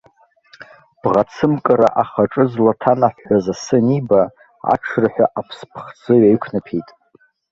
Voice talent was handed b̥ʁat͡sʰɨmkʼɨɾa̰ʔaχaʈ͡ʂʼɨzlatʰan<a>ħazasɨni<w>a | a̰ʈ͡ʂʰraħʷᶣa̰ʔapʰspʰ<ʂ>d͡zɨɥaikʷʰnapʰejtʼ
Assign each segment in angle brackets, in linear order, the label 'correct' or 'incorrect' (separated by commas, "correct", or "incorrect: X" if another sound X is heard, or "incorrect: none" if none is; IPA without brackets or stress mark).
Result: correct, incorrect: b, incorrect: χ